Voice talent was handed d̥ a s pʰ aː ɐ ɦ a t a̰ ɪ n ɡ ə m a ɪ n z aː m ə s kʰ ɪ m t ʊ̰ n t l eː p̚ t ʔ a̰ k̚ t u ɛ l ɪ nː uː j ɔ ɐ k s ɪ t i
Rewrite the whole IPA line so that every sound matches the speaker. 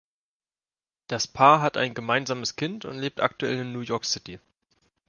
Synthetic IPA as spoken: d̥ a s pʰ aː ɐ ɦ a t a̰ ɪ n ɡ ə m a ɪ n z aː m ə s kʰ ɪ n t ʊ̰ n t l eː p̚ t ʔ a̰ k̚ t u ɛ l ɪ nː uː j ɔ ɐ k s ɪ t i